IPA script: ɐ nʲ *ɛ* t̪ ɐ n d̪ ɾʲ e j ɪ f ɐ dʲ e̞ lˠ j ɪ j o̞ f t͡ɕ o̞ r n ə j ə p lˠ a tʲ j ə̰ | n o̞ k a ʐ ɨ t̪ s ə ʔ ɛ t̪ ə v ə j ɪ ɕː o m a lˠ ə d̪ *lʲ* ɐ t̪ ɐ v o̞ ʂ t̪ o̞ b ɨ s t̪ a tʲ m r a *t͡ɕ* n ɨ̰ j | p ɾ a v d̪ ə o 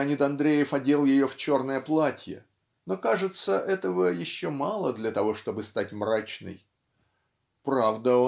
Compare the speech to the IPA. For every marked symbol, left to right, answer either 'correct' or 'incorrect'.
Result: incorrect, correct, correct

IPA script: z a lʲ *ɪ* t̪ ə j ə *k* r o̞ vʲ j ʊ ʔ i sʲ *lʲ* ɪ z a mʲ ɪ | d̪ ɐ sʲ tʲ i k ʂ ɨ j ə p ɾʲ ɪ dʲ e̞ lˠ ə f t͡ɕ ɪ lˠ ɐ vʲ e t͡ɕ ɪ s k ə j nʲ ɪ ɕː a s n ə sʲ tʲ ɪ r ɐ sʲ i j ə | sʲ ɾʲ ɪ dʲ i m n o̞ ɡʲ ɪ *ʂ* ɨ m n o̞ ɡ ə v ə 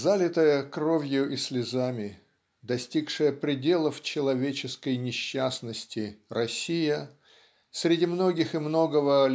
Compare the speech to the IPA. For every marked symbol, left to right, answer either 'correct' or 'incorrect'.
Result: correct, correct, correct, incorrect

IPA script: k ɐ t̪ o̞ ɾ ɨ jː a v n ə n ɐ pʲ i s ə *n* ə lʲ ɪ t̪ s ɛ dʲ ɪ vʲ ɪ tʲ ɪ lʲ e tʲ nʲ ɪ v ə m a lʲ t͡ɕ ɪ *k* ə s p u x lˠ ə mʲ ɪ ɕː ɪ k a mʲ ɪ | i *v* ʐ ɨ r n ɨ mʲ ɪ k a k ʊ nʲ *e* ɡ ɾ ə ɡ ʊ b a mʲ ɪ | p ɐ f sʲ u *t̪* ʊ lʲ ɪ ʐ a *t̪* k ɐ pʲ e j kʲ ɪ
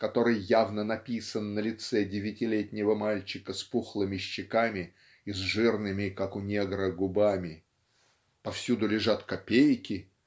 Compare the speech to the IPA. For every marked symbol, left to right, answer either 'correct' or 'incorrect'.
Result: incorrect, correct, incorrect, correct, incorrect, correct

